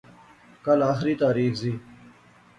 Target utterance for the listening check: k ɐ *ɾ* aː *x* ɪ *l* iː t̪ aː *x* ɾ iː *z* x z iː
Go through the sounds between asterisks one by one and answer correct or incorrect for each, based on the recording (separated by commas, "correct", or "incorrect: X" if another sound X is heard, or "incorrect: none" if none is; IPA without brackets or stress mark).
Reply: incorrect: l, correct, incorrect: ɾ, incorrect: none, incorrect: none